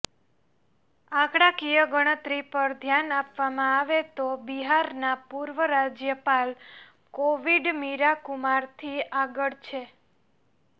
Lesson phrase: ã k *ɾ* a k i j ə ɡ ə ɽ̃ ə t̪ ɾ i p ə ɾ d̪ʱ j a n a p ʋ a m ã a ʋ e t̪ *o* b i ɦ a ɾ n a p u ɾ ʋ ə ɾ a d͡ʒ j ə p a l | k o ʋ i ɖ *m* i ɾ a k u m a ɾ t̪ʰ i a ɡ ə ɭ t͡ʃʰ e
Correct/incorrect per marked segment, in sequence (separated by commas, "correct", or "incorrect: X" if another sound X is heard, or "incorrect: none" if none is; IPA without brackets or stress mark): incorrect: ɽ, correct, correct